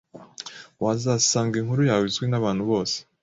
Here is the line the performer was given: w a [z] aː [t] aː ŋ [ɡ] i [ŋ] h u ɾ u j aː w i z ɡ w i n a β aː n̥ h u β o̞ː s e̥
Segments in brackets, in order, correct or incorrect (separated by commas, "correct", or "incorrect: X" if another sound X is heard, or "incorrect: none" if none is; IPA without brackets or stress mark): correct, incorrect: s, correct, correct